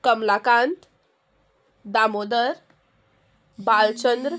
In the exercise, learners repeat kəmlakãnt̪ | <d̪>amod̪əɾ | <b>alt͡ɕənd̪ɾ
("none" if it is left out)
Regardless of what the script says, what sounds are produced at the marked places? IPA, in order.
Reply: d̪, b

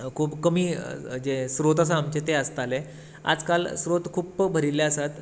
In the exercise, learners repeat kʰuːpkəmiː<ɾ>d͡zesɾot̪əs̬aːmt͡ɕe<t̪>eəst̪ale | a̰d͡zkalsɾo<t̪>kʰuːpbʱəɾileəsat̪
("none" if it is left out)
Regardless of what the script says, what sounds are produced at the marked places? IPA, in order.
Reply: none, t̪, t̪

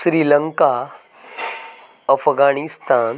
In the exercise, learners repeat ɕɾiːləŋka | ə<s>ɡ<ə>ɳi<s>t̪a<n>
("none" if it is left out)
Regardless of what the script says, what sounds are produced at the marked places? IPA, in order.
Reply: f, a, s, n

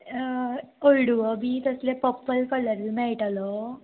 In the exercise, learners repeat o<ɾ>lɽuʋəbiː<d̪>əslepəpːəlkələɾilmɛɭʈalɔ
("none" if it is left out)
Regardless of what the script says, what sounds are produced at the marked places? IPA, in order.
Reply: none, t̪

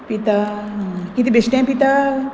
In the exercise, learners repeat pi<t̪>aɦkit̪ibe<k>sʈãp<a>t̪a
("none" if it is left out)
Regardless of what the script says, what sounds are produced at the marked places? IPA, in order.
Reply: t̪, none, i

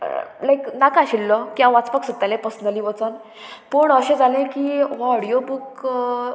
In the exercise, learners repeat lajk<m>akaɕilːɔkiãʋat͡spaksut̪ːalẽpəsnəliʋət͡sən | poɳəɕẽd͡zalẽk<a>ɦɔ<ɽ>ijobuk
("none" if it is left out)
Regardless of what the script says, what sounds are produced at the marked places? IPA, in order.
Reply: n, i, ɽ

